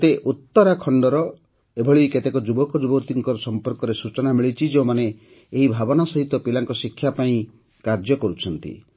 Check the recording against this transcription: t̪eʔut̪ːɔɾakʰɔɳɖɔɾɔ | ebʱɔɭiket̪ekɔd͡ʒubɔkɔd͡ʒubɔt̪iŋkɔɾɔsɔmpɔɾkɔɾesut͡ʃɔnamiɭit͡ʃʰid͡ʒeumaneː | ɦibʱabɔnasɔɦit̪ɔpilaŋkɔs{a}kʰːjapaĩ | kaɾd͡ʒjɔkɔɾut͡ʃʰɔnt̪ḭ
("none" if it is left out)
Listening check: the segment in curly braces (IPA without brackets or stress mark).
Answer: i